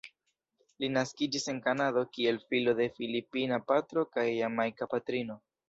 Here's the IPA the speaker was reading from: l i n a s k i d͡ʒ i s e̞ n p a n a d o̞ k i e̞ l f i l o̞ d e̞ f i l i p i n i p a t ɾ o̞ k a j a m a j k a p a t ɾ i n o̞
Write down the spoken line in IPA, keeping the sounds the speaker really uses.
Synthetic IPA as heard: l i n a s k i d͡ʒ i s e̞ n k a n a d o̞ k i e̞ l f i l o̞ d e̞ f i l i p i n a p a t ɾ o̞ k a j a m a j k a p a t ɾ i n o̞